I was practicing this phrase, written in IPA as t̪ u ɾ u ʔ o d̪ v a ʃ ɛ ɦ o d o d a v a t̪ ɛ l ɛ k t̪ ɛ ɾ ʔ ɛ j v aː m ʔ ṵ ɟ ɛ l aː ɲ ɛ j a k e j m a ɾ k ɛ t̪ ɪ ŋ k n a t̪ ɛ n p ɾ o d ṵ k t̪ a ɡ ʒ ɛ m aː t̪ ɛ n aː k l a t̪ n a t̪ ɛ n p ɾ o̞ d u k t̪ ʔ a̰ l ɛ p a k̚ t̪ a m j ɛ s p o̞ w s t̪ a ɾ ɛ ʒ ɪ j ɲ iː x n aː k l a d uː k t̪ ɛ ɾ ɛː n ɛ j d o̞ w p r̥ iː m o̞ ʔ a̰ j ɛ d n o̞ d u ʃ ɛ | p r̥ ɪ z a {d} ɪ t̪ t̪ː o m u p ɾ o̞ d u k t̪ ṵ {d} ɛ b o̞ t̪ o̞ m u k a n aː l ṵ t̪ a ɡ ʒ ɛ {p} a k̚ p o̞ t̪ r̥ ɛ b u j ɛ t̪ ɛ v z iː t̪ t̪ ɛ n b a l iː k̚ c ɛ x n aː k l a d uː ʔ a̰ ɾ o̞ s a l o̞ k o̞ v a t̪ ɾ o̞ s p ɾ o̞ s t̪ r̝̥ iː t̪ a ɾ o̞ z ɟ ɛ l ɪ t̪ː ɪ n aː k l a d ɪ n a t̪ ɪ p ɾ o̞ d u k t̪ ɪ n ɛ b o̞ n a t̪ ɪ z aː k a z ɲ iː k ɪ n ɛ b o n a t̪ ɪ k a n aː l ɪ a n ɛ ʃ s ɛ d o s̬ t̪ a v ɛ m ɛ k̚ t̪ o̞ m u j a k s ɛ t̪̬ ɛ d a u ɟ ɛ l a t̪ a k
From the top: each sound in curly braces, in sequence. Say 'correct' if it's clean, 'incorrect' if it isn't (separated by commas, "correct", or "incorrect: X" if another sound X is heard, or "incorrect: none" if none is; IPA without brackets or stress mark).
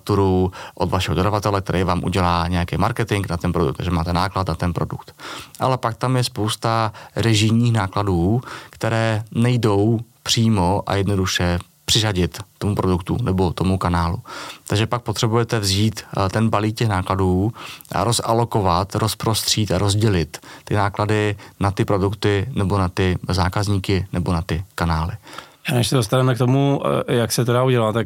incorrect: ɟ, incorrect: n, correct